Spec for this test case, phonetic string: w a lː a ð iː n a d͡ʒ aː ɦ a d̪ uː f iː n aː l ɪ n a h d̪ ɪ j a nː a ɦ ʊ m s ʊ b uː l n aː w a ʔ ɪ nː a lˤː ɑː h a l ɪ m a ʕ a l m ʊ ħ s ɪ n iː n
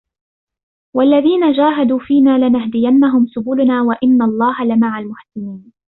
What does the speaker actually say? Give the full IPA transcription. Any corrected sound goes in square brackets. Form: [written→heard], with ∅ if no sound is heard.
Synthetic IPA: w a lː a ð iː n a d͡ʒ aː ɦ a d̪ uː f iː n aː l ɪ n a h d̪ ɪ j a nː a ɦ ʊ m s ʊ b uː l n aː w a ʔ ɪ nː a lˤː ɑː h a l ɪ m a ʕ a l m ʊ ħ s ɪ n iː n